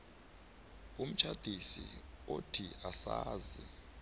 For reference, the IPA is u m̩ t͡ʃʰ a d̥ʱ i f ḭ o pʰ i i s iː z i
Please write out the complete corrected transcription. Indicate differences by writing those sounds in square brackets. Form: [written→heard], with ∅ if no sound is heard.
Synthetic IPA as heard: u m̩ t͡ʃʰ a d̥ʱ i [f→s] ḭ o [pʰ→tʰ] i [i→a] s [iː→aː] z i

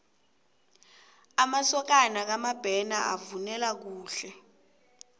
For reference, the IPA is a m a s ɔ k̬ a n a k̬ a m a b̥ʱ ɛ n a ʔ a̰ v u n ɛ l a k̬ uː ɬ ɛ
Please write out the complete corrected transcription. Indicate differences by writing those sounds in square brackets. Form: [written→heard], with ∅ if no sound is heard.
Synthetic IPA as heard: a m a s ɔ k̬ a n a k̬ a m a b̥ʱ ɛ n a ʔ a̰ v u n ɛ l a k̬ uː ɬ ɛ

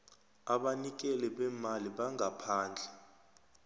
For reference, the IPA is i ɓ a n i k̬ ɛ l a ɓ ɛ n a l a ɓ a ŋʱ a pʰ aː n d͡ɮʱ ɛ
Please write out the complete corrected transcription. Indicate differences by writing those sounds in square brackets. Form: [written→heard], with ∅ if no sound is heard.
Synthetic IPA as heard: [i→a] ɓ a n i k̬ ɛ l [a→ɛ] ɓ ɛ [n→m] a l [a→i] ɓ a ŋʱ a pʰ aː n d͡ɮʱ ɛ

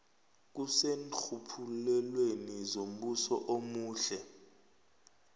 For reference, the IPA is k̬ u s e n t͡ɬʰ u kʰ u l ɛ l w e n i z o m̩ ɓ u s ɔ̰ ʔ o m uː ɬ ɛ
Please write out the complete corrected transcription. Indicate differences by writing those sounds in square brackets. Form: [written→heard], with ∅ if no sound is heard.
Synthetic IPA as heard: k̬ u s e n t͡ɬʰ u [kʰ→pʰ] u l ɛ l w e n i z o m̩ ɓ u s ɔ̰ ʔ o m uː ɬ ɛ

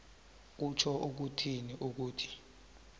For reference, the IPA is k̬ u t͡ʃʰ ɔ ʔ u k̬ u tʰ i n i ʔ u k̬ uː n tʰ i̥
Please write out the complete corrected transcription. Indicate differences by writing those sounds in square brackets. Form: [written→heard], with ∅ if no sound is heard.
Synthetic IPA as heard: k̬ u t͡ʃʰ ɔ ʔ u k̬ u tʰ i n i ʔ u k̬ uː [n→∅] tʰ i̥

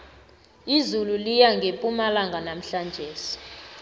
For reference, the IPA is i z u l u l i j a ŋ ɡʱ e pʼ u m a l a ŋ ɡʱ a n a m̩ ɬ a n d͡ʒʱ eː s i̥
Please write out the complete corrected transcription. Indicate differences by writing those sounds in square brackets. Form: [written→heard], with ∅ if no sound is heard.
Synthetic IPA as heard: i z u l u l i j a ŋ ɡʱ e pʼ u m a l a ŋ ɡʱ a n a m̩ ɬ a n d͡ʒʱ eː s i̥

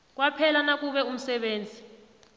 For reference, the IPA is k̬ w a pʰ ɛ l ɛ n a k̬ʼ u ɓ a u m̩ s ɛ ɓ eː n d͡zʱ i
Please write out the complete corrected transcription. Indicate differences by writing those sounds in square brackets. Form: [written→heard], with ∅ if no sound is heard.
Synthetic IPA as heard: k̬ w a pʰ ɛ l [ɛ→a] n a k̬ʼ u ɓ [a→ɛ] u m̩ s ɛ ɓ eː n d͡zʱ i

